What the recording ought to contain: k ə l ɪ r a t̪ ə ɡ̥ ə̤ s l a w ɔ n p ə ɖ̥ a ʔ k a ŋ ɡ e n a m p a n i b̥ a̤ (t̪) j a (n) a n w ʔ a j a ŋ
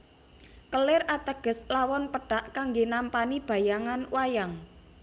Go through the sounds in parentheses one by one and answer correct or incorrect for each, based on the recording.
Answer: incorrect: none, incorrect: ŋ

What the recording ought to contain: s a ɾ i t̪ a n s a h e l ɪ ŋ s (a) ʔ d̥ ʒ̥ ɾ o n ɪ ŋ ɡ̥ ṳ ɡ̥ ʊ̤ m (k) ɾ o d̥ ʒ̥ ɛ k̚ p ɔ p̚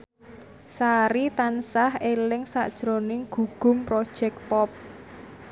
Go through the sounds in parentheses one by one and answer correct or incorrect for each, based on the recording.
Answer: correct, incorrect: p

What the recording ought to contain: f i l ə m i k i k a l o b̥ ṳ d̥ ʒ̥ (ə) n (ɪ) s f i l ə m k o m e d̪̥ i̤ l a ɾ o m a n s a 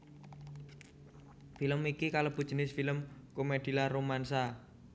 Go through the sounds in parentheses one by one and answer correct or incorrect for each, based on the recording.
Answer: correct, correct

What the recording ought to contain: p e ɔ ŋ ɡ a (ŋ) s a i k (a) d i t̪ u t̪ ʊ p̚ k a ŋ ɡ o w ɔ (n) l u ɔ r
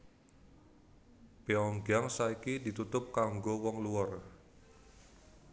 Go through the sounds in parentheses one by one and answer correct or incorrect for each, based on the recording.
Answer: correct, incorrect: i, incorrect: ŋ

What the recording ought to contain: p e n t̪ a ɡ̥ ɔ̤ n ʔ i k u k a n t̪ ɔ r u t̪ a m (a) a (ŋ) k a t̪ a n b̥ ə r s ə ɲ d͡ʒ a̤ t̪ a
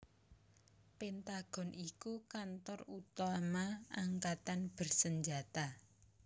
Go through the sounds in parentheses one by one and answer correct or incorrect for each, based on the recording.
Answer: correct, correct

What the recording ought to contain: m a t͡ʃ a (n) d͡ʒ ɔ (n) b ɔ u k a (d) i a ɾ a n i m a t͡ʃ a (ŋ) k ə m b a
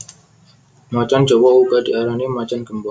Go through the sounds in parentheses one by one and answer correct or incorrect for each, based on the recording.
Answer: correct, incorrect: none, correct, incorrect: n

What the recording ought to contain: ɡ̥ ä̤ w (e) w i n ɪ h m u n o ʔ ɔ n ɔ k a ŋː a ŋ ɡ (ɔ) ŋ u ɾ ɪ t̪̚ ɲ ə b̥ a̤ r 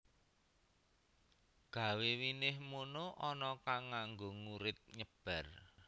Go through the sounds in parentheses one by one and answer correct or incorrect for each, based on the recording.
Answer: correct, incorrect: o

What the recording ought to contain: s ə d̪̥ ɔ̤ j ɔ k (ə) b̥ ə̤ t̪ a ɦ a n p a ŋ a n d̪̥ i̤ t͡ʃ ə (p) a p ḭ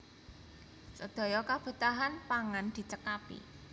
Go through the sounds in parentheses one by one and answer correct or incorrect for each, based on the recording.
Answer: incorrect: a, incorrect: k

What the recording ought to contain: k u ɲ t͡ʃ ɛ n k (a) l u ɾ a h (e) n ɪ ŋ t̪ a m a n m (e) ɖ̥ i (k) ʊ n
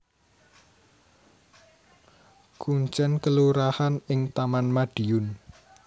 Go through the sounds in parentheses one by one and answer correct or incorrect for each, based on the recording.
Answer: incorrect: ə, incorrect: a, incorrect: a, incorrect: none

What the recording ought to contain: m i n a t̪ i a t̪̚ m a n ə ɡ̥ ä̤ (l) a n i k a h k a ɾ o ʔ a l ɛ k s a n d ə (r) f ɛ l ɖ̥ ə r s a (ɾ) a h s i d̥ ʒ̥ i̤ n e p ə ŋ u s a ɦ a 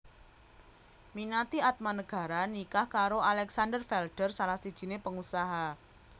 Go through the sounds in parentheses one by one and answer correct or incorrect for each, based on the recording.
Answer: incorrect: ɾ, correct, incorrect: l

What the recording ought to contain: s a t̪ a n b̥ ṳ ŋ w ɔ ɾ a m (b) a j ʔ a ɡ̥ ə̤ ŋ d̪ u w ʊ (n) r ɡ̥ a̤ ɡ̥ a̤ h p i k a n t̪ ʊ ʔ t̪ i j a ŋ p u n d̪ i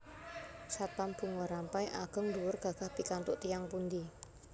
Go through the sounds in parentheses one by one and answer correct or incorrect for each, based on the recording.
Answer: incorrect: p, incorrect: none

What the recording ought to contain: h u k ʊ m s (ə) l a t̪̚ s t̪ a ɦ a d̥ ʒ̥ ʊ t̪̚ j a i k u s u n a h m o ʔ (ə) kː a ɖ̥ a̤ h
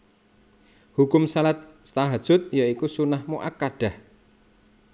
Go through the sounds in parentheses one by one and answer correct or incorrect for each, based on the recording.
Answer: incorrect: a, incorrect: a

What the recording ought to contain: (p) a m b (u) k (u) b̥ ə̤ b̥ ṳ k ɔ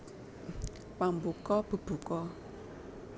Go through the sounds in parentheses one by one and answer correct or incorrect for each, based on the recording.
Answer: correct, correct, incorrect: ɔ

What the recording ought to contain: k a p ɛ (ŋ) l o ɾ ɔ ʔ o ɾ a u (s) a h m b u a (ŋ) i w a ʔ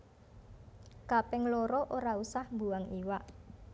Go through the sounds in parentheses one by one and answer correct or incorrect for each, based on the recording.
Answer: correct, correct, correct

